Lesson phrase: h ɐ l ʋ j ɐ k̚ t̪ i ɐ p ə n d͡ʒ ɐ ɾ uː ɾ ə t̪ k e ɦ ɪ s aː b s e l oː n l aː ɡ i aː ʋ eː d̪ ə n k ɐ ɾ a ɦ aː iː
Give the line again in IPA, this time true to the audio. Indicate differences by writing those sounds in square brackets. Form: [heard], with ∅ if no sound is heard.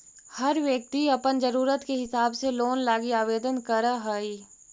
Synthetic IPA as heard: h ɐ [ɾ] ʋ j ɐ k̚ t̪ i ɐ p ə n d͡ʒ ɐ ɾ uː ɾ ə t̪ k e ɦ ɪ s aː b s e l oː n l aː ɡ i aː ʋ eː d̪ ə n k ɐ ɾ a ɦ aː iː